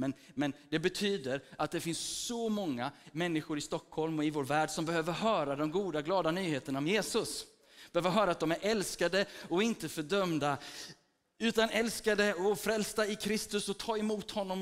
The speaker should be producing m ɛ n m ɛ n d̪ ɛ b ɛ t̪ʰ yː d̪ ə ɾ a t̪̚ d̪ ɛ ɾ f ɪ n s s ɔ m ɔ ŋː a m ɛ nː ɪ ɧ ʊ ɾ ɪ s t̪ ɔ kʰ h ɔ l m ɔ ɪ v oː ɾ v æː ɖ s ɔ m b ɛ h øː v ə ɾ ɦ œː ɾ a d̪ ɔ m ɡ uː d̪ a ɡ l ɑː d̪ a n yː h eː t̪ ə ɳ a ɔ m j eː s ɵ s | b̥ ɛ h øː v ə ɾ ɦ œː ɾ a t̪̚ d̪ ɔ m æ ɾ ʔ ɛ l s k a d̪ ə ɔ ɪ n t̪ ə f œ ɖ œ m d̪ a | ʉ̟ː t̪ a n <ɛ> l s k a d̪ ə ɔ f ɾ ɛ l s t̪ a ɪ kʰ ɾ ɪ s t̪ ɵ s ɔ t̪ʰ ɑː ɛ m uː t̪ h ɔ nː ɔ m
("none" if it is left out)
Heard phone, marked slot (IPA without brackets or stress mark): ɛ